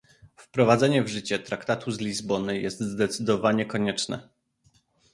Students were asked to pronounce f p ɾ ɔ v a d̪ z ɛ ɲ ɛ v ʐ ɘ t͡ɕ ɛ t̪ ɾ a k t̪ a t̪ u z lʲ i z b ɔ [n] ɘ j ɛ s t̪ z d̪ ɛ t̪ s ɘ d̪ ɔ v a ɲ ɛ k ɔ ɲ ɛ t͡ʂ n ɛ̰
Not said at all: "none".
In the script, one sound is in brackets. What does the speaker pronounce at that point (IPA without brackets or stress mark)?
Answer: n